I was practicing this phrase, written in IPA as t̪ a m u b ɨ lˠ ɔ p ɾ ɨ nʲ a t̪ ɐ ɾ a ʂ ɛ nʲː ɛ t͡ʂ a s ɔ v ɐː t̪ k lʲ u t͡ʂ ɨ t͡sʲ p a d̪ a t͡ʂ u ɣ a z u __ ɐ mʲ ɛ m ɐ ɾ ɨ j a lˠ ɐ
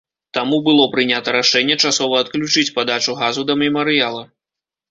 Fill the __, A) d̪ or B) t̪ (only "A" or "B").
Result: A